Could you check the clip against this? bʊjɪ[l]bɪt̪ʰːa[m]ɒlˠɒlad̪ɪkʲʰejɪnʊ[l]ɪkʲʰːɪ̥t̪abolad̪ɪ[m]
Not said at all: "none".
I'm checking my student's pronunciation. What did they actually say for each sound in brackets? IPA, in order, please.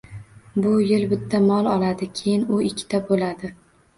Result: l, m, none, none

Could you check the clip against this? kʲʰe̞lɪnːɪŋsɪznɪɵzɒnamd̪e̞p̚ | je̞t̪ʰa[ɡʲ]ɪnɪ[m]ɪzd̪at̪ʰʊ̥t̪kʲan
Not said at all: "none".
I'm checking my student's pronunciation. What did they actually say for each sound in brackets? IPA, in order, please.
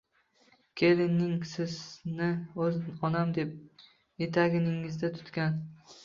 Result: ɡʲ, ŋ

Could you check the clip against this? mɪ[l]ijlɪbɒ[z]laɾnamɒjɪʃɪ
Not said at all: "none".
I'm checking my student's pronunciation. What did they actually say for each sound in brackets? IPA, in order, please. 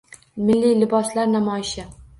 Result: lː, s

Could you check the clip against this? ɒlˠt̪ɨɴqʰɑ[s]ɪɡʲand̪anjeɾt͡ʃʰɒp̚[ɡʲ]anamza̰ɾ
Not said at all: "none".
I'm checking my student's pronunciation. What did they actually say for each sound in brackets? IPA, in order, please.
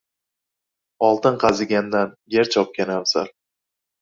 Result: z, kʲ

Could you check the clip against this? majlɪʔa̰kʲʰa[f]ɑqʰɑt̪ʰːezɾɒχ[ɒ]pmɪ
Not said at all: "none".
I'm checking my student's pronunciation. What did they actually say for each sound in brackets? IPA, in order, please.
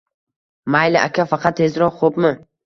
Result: f, o

